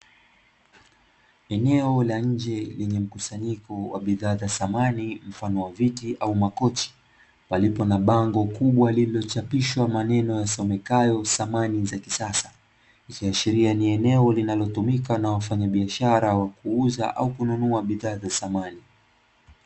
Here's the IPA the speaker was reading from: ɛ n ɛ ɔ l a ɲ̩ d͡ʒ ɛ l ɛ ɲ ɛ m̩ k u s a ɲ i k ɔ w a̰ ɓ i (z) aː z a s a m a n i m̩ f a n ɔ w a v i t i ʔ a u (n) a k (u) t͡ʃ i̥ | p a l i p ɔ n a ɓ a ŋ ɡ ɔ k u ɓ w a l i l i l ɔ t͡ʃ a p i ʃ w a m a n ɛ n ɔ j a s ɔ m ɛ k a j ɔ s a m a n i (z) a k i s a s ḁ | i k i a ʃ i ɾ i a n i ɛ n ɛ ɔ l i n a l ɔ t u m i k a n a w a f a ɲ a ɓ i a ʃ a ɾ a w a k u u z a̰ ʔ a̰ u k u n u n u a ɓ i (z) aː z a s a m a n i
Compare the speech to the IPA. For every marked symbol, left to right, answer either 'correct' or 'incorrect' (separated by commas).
incorrect, incorrect, incorrect, correct, incorrect